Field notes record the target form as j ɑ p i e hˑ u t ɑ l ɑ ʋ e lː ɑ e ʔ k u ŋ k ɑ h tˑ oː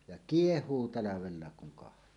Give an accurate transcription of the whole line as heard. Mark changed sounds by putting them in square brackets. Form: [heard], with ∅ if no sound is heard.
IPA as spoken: j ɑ [k] i e hˑ [uː] t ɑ l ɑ ʋ e lː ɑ e [k] k u ŋ k ɑ h tˑ oː